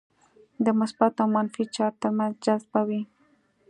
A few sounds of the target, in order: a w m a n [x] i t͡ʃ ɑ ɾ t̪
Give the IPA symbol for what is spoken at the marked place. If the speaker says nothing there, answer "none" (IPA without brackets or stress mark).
f